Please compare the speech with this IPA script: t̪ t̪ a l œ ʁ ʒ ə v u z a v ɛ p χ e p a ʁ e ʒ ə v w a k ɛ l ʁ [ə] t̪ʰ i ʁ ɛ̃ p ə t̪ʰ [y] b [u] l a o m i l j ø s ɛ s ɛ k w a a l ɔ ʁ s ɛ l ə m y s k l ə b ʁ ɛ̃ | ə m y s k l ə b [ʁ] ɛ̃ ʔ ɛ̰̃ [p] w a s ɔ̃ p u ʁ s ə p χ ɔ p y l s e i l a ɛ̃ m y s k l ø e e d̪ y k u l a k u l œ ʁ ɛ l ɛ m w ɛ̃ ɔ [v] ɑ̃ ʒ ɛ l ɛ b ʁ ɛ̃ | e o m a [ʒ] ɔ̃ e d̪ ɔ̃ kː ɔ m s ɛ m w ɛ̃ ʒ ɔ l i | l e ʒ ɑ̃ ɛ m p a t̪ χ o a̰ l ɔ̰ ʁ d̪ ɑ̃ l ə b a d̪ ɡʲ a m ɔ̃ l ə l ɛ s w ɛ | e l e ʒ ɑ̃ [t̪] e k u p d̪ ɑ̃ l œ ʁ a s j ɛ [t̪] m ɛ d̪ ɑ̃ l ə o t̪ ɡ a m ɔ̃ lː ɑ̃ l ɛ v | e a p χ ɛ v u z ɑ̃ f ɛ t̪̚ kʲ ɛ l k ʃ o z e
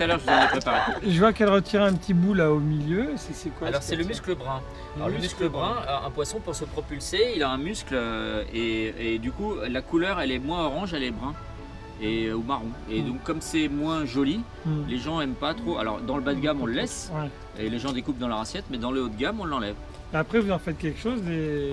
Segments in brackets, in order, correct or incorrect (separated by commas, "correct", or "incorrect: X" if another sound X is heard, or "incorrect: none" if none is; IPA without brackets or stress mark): correct, incorrect: i, correct, correct, correct, incorrect: ʁ, incorrect: ʁ, incorrect: d̪, correct